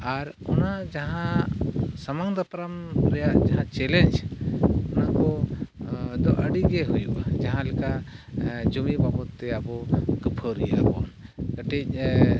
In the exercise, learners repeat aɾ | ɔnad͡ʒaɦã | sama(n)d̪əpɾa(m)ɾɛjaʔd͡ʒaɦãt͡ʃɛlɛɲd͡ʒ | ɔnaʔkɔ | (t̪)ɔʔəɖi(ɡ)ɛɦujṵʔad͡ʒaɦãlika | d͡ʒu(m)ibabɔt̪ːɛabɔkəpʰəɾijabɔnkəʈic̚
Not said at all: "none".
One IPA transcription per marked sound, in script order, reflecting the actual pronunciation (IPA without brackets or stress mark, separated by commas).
ŋ, m, d̪, ɡ, m